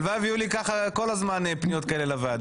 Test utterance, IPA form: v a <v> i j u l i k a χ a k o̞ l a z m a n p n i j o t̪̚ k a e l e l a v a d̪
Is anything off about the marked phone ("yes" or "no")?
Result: no